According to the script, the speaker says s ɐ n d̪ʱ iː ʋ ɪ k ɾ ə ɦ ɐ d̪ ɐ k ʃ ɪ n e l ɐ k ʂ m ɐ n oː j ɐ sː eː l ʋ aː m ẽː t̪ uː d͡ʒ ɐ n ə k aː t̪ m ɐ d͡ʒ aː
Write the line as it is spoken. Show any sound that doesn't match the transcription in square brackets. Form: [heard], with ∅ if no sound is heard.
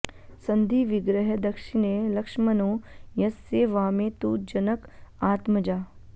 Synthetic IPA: s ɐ n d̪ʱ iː ʋ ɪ [ɡ] ɾ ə ɦ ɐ d̪ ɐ k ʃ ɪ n e l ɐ k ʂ m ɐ n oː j ɐ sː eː [∅] ʋ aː m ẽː t̪ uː d͡ʒ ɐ n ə k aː t̪ m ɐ d͡ʒ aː